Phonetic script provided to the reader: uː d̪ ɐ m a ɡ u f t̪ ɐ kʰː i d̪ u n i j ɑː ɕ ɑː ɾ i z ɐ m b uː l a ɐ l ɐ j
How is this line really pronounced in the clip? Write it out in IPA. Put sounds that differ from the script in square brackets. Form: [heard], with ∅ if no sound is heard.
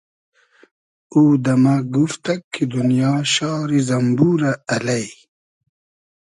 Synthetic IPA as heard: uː d̪ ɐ m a ɡ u f t̪ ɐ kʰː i d̪ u n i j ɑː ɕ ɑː ɾ i z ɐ m b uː [ɾ] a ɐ l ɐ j